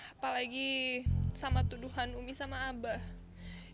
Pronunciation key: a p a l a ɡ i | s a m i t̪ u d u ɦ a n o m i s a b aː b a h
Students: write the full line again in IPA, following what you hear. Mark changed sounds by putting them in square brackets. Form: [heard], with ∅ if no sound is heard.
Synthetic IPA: a p a l a ɡ i | s a m [a] t̪ u d u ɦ a n [u] m i s a [m] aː b a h